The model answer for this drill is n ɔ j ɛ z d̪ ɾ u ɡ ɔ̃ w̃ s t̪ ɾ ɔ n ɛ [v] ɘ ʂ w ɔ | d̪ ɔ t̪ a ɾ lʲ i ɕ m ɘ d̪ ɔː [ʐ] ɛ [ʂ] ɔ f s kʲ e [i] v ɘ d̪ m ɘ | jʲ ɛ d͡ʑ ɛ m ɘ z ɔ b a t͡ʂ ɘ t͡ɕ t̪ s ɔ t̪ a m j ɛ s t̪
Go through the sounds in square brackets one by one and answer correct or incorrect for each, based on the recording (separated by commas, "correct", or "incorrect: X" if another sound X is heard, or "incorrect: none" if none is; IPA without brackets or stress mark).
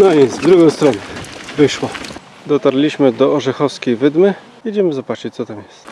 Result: correct, correct, incorrect: x, incorrect: j